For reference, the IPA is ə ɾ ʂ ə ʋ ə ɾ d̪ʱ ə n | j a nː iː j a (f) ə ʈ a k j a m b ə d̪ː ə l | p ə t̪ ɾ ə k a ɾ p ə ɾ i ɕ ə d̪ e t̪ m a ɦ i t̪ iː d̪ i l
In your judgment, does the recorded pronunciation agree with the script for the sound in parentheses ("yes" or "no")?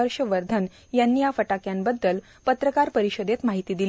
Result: yes